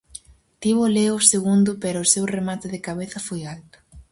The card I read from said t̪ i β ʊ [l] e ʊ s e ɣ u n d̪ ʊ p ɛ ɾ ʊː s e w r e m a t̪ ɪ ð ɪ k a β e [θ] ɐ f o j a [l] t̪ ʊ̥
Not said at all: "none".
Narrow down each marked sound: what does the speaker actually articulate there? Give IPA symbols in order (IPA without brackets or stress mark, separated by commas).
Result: l, θ, l